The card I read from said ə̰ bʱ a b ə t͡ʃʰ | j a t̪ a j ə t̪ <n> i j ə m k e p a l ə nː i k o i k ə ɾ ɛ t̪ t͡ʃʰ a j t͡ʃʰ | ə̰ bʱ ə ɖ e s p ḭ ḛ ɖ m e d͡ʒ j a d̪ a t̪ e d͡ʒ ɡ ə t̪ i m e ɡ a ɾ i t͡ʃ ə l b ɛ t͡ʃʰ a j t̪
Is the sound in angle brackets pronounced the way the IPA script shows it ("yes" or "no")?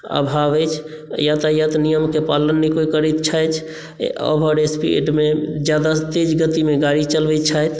yes